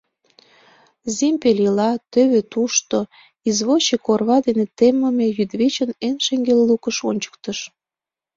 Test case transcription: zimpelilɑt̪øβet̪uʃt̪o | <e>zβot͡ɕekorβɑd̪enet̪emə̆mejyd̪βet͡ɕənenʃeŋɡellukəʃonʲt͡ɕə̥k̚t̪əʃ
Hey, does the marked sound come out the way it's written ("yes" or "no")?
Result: no